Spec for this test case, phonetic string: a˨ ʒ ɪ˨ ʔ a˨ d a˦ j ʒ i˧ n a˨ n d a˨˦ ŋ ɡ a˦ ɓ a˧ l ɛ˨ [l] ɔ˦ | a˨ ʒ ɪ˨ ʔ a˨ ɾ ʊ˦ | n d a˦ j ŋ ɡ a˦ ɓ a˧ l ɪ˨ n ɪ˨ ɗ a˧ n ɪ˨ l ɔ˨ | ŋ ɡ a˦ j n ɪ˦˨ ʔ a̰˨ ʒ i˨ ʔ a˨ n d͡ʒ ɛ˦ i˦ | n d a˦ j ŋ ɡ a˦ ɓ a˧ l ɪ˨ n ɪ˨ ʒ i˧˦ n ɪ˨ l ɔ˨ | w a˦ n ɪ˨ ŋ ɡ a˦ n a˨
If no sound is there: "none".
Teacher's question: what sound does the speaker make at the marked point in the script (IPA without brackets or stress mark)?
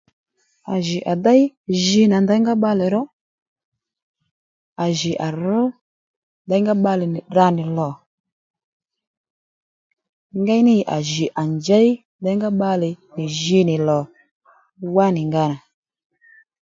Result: ɾ